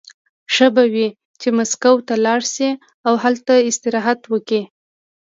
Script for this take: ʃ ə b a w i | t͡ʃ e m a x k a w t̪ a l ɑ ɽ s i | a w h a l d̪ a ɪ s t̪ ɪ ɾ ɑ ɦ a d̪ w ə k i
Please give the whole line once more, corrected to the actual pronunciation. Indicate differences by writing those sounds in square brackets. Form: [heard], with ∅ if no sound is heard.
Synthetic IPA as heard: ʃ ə b a w i | t͡ʃ e m a [s] k a w t̪ a l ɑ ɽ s i | a w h a l [t̪] a ɪ s t̪ ɪ ɾ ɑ ɦ a [t̪] w ə k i

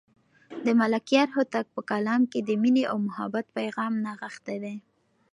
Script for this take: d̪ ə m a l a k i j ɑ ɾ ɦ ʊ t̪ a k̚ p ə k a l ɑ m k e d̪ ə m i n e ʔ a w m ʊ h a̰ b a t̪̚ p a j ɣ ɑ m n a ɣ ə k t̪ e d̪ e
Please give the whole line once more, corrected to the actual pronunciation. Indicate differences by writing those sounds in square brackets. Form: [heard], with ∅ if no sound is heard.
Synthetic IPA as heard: d̪ ə m a l a k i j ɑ ɾ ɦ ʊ t̪ a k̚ p ə k a l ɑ m k e d̪ ə m i n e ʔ a w m ʊ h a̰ b a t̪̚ p a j ɣ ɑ m n a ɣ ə [x] t̪ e d̪ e

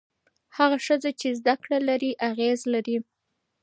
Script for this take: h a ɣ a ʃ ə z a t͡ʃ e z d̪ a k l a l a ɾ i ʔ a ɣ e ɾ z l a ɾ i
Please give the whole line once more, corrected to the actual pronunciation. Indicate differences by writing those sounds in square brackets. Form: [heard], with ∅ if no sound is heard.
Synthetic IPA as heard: h a ɣ a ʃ ə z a t͡ʃ e z d̪ a k [ɽ] a l a ɾ i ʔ a ɣ e [∅] z l a ɾ i

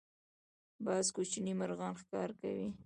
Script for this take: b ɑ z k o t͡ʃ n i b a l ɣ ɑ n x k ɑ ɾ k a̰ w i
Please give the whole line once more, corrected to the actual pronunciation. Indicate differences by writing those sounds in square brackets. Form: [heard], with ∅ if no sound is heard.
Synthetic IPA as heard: b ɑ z k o t͡ʃ n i [m] a [ɾ] ɣ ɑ n x k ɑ ɾ k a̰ w i

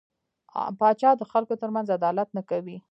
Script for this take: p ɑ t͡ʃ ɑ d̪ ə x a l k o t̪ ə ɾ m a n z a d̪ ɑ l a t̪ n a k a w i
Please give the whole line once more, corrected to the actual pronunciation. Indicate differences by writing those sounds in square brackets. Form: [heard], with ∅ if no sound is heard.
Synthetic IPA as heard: p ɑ t͡ʃ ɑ d̪ ə x a l k o t̪ ə ɾ m a n z a d̪ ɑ l a t̪ n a k a w i

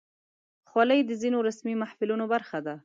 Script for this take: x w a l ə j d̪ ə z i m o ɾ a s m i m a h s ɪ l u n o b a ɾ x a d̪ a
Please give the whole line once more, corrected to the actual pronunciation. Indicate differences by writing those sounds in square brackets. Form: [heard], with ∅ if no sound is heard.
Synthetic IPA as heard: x w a l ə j d̪ ə z i [n] o ɾ a s m i m a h [f] ɪ l u n o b a ɾ x a d̪ a

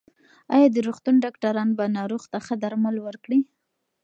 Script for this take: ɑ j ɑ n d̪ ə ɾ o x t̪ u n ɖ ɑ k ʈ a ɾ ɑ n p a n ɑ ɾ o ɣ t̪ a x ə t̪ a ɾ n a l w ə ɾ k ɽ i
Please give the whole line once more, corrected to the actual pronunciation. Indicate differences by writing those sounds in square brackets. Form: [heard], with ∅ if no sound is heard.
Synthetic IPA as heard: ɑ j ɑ [∅] d̪ ə ɾ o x t̪ u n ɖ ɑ k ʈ a ɾ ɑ n [b] a n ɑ ɾ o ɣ t̪ a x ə [d̪] a ɾ [m] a l w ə ɾ k ɽ i

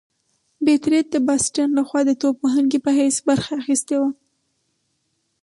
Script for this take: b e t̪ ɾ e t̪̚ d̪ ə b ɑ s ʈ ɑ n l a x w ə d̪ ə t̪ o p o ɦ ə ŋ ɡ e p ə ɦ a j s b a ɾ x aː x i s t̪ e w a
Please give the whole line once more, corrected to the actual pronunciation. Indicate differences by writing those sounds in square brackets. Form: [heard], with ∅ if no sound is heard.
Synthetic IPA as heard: b e t̪ ɾ e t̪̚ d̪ ə b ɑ s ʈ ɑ n l a x w [ɑ] d̪ ə t̪ o p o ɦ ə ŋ ɡ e p ə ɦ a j s b a ɾ x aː x i s t̪ e w a

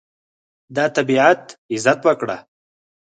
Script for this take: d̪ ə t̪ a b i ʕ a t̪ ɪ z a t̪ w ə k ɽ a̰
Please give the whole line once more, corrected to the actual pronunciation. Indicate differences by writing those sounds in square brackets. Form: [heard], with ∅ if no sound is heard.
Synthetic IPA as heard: d̪ [ɑ] t̪ a b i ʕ a t̪ ɪ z a t̪ w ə k ɽ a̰

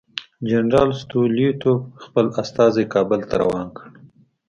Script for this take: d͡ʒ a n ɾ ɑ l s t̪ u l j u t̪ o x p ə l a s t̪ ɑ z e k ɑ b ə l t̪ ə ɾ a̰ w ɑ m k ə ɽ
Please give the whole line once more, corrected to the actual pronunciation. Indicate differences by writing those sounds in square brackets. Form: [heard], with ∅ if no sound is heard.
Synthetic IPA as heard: d͡ʒ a n ɾ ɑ l s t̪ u l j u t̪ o x p ə l a s t̪ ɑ z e k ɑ b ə l t̪ [a] ɾ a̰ w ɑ [n] k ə ɽ

